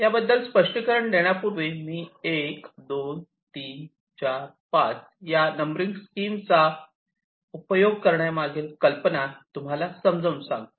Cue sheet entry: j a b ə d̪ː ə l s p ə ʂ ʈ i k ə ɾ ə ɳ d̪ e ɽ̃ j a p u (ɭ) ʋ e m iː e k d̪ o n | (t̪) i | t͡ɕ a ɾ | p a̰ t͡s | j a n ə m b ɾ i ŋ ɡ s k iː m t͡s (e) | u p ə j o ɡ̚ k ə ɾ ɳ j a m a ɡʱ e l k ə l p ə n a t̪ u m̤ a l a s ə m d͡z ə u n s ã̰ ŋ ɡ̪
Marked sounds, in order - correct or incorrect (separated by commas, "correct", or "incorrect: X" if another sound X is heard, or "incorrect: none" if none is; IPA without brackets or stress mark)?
incorrect: ɾ, correct, incorrect: a